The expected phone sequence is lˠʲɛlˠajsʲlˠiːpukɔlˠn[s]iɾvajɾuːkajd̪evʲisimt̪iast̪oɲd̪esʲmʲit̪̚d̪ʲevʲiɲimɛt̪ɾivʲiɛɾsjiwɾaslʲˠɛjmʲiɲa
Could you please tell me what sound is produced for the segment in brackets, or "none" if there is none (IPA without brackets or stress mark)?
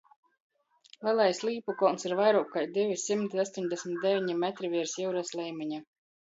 s